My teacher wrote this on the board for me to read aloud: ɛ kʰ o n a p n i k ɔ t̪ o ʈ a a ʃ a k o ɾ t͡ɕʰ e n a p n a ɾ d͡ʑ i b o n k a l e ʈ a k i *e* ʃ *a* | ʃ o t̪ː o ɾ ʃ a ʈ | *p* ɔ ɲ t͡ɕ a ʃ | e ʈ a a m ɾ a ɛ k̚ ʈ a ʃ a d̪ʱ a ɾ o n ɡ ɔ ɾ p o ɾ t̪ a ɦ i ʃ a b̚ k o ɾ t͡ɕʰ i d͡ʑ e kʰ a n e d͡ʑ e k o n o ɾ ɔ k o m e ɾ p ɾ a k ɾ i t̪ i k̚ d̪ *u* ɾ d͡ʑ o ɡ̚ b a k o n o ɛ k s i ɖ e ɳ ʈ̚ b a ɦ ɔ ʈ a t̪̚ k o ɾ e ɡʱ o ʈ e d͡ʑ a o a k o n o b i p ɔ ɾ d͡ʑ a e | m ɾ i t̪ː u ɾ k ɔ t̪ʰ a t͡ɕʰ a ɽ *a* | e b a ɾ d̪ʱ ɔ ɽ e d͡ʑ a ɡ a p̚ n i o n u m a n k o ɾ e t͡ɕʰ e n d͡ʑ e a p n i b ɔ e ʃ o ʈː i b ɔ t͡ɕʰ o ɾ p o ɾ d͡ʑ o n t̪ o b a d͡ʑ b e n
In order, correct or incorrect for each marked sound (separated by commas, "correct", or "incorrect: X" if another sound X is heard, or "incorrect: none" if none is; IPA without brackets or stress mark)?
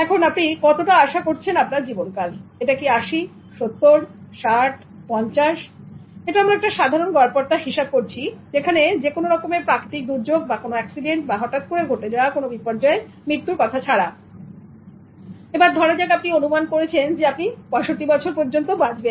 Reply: incorrect: a, incorrect: i, correct, correct, correct